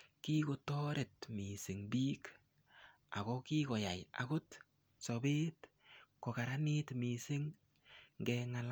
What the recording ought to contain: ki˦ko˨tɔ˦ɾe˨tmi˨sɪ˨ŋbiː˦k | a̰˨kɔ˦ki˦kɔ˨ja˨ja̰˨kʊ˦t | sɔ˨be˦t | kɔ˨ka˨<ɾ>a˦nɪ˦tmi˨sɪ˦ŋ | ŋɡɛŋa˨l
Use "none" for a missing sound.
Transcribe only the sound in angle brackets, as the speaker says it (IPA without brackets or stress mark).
ɾ